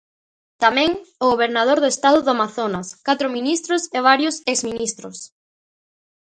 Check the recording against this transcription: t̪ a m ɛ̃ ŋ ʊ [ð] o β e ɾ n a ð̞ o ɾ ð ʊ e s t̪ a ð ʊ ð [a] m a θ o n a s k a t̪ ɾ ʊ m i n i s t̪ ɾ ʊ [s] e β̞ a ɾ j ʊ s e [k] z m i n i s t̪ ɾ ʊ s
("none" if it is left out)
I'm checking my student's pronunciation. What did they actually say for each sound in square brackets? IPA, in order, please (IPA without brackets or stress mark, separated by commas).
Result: ɣ, a, s, k